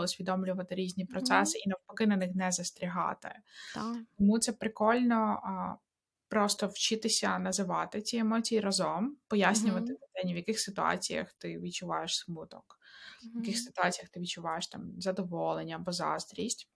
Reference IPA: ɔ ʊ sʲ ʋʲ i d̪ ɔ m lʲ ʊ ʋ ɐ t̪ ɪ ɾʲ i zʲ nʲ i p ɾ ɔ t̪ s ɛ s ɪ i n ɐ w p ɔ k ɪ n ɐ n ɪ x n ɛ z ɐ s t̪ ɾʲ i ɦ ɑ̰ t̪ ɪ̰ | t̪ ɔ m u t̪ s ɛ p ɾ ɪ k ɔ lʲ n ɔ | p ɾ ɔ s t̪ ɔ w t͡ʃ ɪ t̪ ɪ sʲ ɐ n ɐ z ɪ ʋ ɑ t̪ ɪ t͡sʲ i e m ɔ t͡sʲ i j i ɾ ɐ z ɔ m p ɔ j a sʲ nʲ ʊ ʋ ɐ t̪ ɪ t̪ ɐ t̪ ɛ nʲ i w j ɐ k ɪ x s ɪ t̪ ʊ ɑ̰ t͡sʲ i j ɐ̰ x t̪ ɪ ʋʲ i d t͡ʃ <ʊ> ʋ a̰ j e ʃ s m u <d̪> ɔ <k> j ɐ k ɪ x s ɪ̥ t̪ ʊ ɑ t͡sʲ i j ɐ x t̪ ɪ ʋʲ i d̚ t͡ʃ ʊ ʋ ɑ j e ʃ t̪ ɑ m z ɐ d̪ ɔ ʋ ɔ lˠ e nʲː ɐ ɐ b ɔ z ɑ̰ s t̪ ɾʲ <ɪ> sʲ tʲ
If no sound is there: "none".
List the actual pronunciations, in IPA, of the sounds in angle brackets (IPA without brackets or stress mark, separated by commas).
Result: ʊ, t̪, k, i